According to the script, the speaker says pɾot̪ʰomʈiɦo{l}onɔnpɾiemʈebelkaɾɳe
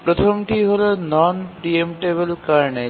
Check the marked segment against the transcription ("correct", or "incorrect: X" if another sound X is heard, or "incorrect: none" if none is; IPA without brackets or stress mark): correct